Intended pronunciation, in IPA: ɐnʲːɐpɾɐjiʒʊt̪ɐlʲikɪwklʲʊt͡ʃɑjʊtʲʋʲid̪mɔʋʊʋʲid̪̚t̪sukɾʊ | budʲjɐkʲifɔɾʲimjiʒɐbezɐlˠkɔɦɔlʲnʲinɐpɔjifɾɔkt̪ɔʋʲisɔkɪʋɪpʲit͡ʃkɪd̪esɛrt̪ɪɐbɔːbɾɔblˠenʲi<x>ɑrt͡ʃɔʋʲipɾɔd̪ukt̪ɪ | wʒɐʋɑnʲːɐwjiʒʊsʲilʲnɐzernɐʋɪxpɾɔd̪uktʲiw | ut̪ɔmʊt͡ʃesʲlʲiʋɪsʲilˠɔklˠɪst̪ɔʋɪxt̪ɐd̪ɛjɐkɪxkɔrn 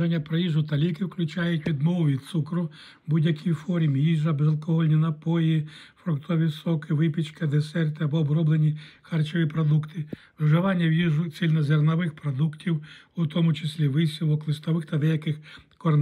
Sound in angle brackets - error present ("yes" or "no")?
no